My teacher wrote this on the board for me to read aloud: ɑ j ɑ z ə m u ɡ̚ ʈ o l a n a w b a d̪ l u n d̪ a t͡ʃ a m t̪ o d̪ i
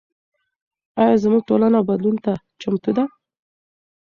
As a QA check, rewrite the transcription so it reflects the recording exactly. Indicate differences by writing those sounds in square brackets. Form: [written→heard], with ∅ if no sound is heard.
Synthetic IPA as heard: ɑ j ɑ z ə m u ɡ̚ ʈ o l a n a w b a d̪ l u n [d̪→t̪] a t͡ʃ a m t̪ [o→u] d̪ [i→a]